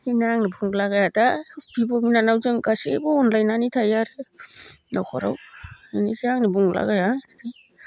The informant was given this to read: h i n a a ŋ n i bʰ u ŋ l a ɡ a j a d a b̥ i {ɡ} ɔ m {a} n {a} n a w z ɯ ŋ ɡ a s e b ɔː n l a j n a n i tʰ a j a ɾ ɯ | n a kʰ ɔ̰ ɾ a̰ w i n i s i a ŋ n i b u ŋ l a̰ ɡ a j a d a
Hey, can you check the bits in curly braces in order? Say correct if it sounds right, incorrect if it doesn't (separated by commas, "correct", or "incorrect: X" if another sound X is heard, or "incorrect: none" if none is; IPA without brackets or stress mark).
incorrect: b, incorrect: i, correct